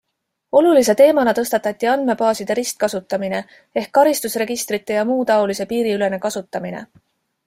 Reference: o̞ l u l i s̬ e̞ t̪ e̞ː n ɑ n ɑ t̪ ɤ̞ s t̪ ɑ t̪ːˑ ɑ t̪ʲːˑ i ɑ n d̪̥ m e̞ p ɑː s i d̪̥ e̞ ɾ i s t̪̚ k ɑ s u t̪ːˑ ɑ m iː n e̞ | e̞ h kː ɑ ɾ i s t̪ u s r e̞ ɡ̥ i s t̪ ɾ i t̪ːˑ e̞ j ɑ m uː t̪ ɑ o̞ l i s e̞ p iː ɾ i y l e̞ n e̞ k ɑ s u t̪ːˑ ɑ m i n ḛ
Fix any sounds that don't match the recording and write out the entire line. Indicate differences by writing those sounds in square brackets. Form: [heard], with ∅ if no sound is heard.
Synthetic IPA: o̞ l u l i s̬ e̞ t̪ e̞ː [m] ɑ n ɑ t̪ ɤ̞ s t̪ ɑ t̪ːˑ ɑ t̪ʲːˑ i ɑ n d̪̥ m e̞ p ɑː s i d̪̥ e̞ ɾ i s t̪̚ k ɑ s u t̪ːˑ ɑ m [i] n e̞ | e̞ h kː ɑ ɾ i s t̪ u s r e̞ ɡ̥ i s t̪ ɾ i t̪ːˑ e̞ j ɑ m uː t̪ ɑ o̞ l i s e̞ p iː ɾ i y l e̞ n e̞ k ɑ s u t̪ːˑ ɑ m i n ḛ